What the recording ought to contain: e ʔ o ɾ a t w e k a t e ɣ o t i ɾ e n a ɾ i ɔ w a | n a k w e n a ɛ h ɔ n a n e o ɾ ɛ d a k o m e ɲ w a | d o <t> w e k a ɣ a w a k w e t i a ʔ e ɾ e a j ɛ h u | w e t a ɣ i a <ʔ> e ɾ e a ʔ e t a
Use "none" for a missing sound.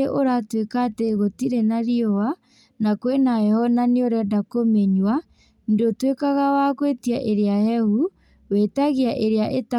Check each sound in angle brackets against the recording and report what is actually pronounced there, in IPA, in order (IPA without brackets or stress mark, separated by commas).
t, ʔ